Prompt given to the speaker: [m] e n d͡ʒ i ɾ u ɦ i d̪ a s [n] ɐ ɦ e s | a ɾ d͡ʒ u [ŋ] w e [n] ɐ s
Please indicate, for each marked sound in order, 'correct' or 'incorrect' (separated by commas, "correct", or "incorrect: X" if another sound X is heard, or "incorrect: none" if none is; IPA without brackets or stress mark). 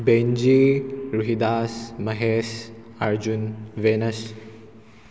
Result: incorrect: b, incorrect: m, incorrect: n, correct